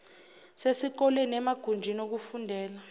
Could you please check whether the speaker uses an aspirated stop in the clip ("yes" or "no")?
no